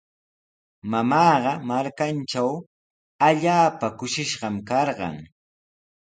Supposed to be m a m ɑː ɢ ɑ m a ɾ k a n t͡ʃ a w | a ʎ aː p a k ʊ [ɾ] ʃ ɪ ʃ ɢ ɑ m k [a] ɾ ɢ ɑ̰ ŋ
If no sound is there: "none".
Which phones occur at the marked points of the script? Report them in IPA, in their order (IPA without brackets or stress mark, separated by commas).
none, ɑ